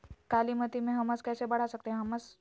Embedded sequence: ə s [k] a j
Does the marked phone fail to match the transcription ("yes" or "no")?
no